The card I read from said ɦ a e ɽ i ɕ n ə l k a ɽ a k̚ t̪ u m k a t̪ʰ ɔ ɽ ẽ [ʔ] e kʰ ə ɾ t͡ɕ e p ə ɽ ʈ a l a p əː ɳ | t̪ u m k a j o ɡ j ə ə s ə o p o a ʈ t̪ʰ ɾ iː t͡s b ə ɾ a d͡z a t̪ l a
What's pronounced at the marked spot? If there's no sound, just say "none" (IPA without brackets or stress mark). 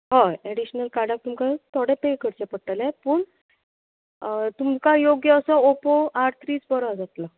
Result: p